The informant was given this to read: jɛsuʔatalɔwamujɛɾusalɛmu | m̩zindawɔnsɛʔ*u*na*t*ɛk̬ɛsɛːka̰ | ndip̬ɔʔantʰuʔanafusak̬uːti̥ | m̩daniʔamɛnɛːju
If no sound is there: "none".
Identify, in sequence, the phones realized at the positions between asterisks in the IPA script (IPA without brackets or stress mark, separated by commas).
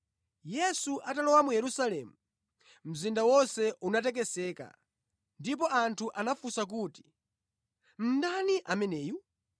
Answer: u, t